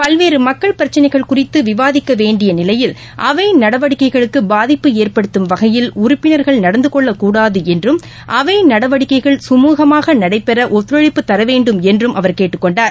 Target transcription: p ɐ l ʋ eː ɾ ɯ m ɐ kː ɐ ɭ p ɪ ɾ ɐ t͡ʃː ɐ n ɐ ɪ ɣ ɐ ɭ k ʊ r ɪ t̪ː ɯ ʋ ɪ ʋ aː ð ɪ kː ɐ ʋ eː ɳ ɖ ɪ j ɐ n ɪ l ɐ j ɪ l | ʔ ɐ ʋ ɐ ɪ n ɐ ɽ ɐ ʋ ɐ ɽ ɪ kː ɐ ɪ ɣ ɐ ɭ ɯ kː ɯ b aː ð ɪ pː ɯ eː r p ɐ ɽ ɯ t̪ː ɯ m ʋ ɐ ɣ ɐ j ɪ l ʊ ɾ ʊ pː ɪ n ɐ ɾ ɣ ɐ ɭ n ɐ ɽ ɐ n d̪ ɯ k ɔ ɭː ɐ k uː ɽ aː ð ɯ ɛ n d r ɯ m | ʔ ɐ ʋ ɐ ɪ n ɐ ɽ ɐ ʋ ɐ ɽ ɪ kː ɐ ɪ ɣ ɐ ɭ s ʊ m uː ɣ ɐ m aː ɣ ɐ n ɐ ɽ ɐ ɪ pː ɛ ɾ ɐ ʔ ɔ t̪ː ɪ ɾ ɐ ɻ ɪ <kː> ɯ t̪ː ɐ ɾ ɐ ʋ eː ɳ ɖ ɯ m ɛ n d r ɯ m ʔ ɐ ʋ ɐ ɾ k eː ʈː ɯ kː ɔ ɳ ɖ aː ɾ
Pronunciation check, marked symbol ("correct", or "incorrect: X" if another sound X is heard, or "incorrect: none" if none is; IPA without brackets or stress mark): incorrect: pː